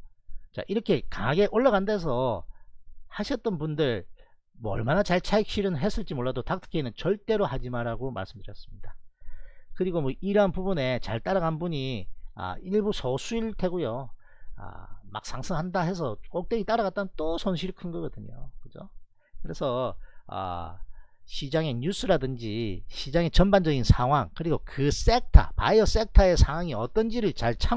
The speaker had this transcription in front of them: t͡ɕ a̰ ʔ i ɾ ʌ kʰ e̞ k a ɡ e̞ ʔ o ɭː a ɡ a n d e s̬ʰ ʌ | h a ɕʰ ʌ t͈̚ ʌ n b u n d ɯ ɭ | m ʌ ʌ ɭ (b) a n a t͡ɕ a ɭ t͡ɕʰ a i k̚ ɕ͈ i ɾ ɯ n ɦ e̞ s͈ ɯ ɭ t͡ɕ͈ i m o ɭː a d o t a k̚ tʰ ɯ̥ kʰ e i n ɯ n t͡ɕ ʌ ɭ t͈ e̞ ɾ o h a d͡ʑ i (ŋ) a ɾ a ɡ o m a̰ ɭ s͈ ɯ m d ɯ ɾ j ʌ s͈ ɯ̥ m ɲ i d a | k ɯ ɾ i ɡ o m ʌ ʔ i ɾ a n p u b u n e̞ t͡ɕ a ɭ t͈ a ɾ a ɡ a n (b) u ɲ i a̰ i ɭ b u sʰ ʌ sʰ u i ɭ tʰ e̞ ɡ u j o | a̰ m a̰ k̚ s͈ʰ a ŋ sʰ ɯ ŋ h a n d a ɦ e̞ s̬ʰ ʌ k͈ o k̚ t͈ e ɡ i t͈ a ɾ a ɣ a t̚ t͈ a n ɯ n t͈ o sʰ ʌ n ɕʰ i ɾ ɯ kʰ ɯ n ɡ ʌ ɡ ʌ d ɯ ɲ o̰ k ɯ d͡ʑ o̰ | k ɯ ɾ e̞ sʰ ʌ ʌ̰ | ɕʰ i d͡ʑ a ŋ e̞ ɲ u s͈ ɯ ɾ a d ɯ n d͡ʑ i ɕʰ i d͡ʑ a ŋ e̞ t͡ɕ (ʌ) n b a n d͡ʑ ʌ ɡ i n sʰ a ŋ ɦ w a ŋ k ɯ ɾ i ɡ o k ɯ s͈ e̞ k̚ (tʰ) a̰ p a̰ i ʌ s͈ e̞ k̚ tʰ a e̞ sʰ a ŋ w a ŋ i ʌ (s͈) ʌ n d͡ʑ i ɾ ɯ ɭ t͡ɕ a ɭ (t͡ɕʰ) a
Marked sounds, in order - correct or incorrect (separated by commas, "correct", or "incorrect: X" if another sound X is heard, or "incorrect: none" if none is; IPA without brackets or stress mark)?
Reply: incorrect: m, incorrect: m, correct, correct, correct, incorrect: t͈, correct